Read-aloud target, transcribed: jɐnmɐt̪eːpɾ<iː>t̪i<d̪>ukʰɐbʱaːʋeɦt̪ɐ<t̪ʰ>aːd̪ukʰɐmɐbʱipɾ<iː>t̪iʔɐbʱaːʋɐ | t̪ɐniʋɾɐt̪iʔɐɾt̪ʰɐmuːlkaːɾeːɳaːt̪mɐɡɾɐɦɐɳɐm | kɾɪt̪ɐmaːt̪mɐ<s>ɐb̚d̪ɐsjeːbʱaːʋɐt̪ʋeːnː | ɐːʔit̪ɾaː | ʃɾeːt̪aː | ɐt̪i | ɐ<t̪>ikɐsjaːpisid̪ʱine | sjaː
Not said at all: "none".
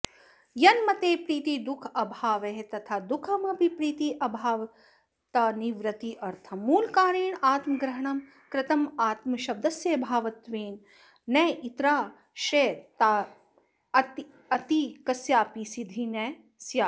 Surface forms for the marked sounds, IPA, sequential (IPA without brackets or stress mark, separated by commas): iː, d̪, t̪ʰ, iː, ʃ, t̪